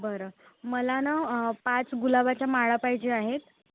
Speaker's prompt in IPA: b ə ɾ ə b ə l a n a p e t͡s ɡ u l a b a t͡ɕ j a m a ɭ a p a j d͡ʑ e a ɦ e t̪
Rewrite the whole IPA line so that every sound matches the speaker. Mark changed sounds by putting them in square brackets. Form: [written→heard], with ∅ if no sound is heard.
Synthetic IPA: b ə ɾ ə [b→m] ə l a n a p [e→a] t͡s ɡ u l a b a t͡ɕ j a m a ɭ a p a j d͡ʑ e a ɦ e t̪